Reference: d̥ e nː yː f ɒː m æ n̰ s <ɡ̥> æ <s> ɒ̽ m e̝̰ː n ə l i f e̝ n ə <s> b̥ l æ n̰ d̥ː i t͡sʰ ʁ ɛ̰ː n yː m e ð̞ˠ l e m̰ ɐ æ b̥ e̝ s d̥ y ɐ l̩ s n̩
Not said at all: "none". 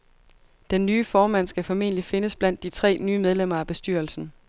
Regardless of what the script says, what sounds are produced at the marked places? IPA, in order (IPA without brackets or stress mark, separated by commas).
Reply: ɡ̥, f, s